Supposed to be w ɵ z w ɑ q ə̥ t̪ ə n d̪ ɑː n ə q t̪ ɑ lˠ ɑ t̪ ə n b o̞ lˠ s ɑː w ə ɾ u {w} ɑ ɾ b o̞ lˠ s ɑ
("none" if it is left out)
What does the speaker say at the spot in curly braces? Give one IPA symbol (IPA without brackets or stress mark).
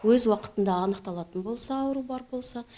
b